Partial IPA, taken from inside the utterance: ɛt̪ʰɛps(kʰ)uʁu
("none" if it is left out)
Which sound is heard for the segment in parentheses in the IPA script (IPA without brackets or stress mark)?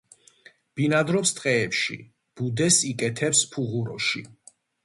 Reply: pʰ